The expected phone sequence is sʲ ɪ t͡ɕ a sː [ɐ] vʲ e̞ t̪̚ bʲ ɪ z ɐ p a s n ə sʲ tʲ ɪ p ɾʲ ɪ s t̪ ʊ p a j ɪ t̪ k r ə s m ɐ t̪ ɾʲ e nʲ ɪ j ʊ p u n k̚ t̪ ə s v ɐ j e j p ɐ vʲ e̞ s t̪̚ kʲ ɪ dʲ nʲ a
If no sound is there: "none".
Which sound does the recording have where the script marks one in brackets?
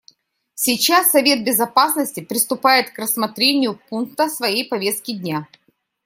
ɐ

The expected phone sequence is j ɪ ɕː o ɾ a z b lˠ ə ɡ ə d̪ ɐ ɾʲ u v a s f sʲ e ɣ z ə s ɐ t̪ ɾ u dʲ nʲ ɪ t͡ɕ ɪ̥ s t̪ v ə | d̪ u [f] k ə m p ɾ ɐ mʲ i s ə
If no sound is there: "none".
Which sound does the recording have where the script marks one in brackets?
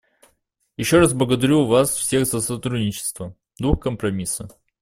x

